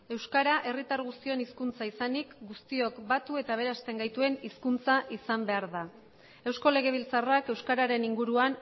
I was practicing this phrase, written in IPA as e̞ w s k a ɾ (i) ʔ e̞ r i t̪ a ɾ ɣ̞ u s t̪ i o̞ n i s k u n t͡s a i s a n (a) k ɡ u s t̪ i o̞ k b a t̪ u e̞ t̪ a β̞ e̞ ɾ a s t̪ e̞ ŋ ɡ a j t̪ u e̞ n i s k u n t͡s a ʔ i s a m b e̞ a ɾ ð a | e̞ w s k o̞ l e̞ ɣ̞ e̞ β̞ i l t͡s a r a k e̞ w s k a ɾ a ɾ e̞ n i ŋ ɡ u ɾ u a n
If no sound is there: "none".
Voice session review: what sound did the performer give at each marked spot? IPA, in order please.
a, i

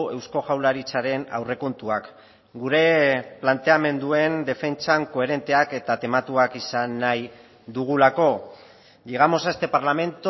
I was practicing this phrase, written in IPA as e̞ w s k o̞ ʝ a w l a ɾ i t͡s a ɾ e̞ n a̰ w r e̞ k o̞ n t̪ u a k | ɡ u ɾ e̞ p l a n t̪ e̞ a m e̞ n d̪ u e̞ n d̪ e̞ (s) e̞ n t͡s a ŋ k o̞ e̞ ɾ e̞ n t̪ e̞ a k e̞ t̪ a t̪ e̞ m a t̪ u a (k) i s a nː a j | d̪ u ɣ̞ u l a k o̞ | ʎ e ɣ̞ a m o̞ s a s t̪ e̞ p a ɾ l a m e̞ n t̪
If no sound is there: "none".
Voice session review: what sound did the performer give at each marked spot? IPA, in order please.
f, k

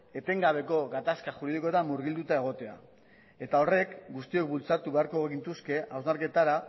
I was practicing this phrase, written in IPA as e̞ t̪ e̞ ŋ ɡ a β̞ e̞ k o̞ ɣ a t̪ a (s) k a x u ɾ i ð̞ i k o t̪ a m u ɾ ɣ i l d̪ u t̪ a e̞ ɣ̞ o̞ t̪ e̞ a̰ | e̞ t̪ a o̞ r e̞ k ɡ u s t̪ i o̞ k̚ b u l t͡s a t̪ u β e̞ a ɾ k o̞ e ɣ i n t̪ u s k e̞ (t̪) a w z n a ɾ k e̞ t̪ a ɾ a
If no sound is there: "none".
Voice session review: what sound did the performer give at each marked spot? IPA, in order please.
s, none

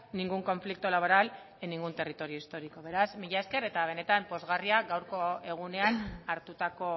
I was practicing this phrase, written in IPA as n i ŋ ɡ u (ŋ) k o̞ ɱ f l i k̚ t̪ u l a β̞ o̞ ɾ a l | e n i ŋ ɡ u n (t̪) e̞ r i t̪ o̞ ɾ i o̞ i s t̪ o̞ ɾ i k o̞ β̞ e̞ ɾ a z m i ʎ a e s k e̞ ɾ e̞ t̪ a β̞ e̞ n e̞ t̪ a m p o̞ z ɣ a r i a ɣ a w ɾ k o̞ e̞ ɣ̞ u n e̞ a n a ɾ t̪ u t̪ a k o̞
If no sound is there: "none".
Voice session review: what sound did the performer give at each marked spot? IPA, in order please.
ŋ, t̪

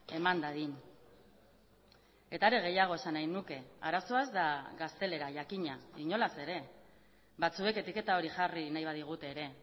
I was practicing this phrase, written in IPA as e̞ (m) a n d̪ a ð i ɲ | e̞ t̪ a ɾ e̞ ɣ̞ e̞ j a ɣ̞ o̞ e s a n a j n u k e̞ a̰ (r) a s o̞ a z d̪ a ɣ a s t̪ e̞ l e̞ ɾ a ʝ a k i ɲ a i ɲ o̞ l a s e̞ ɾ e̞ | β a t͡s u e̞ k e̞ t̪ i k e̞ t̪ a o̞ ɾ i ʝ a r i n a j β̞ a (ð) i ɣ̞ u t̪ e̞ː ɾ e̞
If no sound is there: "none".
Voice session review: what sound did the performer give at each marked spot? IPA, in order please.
m, ɾ, ð

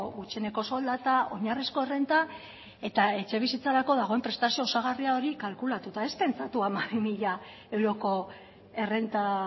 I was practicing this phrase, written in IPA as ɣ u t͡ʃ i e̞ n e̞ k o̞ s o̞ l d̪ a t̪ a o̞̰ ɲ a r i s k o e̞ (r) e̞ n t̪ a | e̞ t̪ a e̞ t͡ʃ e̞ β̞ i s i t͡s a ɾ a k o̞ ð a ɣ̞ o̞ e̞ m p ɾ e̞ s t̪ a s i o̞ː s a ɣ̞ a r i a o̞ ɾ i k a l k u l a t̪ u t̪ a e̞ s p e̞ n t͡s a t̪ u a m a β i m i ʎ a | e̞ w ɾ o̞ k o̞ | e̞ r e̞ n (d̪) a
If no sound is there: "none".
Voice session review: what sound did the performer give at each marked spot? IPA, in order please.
r, t̪

